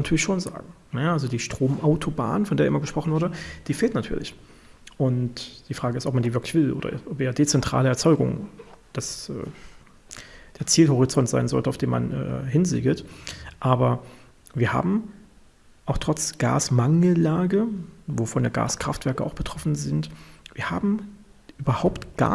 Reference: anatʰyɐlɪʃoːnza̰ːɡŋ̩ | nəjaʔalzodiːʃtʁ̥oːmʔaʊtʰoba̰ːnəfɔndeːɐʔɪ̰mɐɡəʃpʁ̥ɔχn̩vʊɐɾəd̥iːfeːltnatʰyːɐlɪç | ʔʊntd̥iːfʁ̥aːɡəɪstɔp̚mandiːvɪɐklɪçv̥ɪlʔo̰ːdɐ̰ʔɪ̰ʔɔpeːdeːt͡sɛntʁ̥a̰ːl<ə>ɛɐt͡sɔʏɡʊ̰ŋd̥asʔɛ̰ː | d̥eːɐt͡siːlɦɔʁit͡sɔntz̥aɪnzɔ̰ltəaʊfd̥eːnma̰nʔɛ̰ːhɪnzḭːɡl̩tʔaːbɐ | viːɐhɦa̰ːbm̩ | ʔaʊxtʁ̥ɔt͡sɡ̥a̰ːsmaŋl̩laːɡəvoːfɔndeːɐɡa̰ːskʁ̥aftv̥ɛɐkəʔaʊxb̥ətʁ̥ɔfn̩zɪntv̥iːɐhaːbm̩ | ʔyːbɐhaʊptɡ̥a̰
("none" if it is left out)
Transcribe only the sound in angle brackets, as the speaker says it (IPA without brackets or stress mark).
ə